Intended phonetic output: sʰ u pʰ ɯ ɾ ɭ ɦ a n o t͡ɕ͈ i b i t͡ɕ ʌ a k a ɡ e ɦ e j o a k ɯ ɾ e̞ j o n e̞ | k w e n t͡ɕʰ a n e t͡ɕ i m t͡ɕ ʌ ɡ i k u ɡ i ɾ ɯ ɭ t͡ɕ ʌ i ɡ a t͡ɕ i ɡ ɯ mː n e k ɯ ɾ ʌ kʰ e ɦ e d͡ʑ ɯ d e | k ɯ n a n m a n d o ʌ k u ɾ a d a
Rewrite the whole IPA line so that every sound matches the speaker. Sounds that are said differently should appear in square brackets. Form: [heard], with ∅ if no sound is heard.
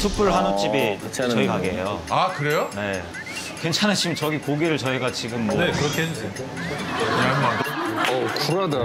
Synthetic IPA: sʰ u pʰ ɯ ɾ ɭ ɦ a n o t͡ɕ͈ i b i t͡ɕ ʌ [i] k a ɡ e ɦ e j o a k ɯ ɾ e̞ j o n e̞ | k w e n t͡ɕʰ a n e t͡ɕ i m t͡ɕ ʌ ɡ i k [o] ɡ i ɾ ɯ ɭ t͡ɕ ʌ i ɡ a t͡ɕ i ɡ ɯ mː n e k ɯ ɾ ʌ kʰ e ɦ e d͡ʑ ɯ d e | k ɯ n a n m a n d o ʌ k u ɾ a d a